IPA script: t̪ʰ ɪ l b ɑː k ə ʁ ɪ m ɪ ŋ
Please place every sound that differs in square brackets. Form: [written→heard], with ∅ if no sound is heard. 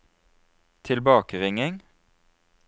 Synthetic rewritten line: t̪ʰ ɪ l b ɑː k ə ʁ ɪ [m→ŋ] ɪ ŋ